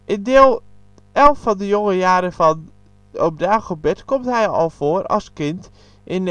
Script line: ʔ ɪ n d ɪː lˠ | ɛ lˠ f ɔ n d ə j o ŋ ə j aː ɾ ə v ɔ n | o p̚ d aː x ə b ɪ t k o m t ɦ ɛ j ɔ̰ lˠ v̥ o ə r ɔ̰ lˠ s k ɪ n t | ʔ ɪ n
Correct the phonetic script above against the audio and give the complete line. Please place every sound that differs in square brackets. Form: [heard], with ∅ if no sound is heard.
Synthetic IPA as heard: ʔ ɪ n d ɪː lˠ | ɛ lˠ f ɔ n d ə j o ŋ ə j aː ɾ ə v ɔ n | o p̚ d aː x ə b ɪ t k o m t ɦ ɛ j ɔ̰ lˠ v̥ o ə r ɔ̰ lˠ s k ɪ n t | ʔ ɪ n